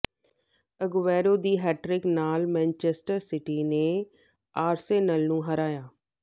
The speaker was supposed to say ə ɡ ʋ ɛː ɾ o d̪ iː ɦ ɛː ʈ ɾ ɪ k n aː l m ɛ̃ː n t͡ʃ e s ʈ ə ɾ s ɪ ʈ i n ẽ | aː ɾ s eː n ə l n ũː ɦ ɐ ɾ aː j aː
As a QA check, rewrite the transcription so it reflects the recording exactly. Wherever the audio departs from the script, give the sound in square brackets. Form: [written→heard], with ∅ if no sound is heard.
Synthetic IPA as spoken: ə ɡ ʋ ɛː ɾ o d̪ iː ɦ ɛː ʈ ɾ ɪ k n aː l m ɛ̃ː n t͡ʃ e s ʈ ə ɾ s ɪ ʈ i n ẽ | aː ɾ s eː n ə l n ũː ɦ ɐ ɾ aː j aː